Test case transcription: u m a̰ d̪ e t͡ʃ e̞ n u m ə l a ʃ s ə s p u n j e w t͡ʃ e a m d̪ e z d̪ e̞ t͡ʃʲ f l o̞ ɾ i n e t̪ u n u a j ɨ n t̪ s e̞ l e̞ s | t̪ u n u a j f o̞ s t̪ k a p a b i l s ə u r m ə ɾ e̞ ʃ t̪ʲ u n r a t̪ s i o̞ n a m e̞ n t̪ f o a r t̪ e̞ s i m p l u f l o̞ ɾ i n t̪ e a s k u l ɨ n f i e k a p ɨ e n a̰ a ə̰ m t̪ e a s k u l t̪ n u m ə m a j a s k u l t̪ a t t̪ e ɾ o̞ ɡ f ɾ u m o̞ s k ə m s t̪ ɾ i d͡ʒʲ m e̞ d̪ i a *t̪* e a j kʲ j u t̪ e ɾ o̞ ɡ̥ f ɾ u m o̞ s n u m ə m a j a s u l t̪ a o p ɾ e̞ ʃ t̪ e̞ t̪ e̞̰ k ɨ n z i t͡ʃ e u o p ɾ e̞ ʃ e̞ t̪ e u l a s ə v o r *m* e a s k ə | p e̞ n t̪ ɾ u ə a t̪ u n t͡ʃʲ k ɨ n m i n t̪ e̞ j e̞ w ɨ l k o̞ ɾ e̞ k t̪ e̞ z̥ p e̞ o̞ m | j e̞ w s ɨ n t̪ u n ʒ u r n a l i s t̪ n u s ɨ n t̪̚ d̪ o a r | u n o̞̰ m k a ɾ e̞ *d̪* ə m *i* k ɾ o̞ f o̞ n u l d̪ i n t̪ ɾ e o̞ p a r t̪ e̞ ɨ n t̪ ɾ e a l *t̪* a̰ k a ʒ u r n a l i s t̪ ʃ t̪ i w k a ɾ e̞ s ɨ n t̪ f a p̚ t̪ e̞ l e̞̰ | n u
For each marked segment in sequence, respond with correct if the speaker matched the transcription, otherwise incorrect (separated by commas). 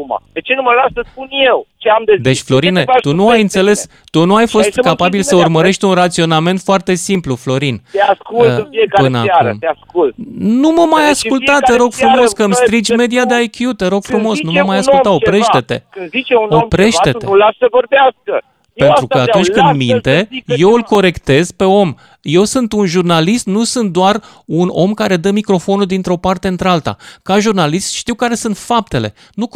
incorrect, incorrect, correct, correct, correct